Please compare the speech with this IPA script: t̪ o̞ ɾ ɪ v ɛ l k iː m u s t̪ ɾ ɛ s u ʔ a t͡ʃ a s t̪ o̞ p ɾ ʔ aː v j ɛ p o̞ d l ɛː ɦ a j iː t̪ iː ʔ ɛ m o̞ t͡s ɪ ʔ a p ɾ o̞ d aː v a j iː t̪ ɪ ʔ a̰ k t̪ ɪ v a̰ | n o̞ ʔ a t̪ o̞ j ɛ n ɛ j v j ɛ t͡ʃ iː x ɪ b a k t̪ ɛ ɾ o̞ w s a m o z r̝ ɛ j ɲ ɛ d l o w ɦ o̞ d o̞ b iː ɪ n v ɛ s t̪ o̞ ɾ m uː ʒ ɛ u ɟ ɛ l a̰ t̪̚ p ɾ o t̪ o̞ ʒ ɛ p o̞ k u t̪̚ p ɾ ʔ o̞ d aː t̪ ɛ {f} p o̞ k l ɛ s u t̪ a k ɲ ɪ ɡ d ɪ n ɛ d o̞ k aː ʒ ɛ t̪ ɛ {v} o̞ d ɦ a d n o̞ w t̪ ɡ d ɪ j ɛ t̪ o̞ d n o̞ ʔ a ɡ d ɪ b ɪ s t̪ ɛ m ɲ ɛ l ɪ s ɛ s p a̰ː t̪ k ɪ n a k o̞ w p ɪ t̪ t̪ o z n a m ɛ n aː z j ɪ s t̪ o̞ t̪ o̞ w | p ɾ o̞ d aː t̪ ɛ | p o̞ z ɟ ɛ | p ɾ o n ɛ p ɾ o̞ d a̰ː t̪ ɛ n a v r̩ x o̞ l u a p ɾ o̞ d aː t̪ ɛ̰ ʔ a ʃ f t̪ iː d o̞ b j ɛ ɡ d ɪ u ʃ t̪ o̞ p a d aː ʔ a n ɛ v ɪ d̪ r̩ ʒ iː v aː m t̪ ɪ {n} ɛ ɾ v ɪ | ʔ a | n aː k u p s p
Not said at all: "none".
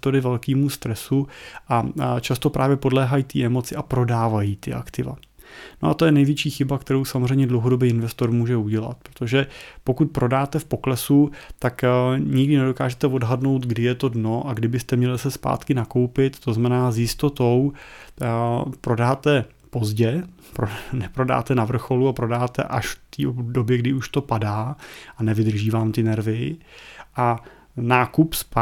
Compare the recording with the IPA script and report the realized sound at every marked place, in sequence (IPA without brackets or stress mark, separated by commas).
f, v, n